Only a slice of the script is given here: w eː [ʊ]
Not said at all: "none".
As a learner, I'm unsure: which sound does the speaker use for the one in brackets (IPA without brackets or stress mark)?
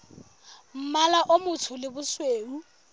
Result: u